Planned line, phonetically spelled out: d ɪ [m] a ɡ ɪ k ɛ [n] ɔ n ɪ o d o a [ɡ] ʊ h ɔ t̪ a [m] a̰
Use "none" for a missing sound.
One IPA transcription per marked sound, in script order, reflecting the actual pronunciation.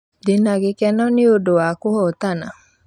n, n, k, n

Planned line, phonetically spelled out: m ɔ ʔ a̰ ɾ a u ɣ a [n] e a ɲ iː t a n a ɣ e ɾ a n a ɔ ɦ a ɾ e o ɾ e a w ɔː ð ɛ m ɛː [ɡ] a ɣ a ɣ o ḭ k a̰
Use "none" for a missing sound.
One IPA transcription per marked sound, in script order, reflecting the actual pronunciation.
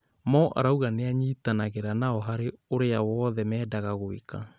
n, d

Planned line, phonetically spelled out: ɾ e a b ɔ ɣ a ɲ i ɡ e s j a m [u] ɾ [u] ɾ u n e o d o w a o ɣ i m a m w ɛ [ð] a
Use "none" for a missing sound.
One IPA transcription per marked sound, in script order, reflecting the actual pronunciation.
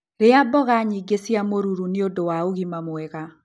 o, u, ɣ

